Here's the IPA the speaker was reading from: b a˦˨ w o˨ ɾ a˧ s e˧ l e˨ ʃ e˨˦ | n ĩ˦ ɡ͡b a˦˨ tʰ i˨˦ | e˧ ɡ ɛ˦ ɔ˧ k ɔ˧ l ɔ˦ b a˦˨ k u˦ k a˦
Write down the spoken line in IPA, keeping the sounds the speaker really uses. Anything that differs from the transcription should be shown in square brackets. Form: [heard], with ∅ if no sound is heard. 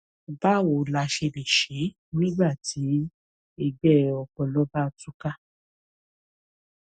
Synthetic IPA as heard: b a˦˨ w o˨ [l] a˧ [ʃ] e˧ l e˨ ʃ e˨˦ | n ĩ˦ ɡ͡b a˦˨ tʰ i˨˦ | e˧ [ɡ͡b] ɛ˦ ɔ˧ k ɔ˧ l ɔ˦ b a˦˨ [t] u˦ k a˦